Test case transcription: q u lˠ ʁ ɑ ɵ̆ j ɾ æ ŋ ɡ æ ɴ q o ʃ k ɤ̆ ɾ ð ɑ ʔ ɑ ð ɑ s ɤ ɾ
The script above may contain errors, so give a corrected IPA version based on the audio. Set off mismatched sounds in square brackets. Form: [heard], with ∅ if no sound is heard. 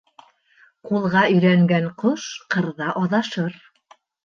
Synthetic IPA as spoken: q u lˠ ʁ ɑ ɵ̆ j ɾ æ ŋ ɡ æ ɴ q o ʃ [q] ɤ̆ ɾ ð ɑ ʔ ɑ ð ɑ [ʃ] ɤ ɾ